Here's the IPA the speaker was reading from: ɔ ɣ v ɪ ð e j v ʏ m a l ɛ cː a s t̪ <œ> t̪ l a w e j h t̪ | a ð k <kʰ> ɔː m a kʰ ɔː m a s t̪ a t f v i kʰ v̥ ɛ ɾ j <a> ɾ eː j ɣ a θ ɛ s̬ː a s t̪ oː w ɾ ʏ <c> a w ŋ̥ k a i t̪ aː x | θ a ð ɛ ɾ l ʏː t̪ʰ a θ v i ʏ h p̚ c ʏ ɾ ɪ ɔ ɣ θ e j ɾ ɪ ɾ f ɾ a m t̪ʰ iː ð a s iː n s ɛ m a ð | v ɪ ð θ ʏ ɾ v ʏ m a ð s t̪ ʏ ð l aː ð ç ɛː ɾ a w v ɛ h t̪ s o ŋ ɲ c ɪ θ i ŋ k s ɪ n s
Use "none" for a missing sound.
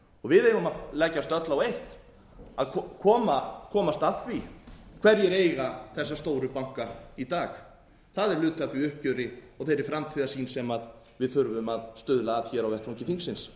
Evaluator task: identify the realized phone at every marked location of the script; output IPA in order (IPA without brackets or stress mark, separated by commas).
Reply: œ, kʰ, ɛ, p